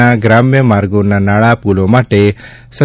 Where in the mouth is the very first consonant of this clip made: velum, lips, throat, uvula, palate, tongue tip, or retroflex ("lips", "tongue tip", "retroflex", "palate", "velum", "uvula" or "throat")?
velum